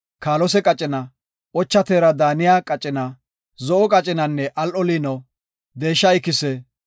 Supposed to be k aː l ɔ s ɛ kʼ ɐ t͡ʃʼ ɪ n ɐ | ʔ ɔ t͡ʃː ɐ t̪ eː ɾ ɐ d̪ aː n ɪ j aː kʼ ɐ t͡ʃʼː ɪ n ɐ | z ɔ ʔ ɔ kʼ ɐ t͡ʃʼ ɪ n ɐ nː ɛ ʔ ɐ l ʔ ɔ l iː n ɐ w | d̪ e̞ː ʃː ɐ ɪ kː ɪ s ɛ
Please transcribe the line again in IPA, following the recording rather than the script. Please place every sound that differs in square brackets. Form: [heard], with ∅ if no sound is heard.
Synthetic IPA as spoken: k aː l ɔ s ɛ kʼ ɐ t͡ʃʼ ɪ n ɐ | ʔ ɔ t͡ʃː ɐ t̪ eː ɾ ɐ d̪ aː n ɪ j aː kʼ ɐ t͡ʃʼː ɪ n ɐ | z ɔ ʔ ɔ kʼ ɐ t͡ʃʼ ɪ n ɐ nː ɛ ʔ ɐ l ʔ ɔ l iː n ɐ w | d̪ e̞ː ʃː ɐ ɪ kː ɪ s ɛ